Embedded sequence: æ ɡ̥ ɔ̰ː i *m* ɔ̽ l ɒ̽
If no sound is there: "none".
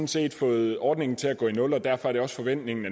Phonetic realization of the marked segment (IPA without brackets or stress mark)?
n